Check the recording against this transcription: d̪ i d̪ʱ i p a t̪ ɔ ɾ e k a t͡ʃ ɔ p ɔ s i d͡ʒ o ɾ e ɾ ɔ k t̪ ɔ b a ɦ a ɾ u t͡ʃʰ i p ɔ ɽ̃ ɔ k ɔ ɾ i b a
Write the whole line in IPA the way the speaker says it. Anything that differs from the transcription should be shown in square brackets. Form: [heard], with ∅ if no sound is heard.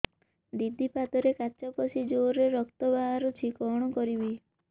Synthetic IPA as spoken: d̪ i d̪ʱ i p a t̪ ɔ ɾ e k a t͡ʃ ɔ p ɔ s i d͡ʒ o ɾ e ɾ ɔ k t̪ ɔ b a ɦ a ɾ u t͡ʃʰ i [k] ɔ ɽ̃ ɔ k ɔ ɾ i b [i]